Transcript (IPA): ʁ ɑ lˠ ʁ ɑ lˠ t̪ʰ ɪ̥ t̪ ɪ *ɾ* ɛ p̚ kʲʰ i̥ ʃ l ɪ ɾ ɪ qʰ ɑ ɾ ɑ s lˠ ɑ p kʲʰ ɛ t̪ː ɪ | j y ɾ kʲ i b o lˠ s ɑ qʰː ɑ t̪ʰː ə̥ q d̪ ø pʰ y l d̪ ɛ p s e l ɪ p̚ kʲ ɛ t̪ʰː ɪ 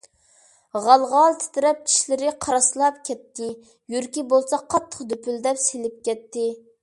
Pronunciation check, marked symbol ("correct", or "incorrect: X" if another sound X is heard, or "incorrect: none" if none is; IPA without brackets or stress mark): correct